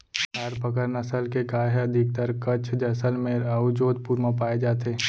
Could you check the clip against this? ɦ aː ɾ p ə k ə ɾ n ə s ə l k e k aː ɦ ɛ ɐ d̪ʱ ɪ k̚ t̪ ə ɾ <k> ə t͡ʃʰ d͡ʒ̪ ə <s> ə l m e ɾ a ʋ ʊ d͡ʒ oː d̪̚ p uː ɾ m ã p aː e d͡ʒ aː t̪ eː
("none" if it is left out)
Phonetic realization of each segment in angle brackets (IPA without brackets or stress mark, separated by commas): k, s